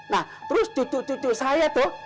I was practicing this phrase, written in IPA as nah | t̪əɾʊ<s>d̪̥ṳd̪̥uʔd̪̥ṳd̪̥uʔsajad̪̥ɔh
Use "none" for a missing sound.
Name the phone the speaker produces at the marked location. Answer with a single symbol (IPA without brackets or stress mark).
s